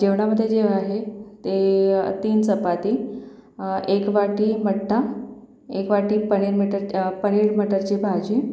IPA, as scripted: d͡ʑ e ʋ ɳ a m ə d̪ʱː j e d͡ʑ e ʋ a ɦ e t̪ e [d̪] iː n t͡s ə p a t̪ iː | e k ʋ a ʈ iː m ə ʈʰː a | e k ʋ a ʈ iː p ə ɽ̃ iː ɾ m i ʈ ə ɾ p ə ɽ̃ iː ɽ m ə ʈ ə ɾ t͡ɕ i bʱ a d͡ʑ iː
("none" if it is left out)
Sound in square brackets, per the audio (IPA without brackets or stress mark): t̪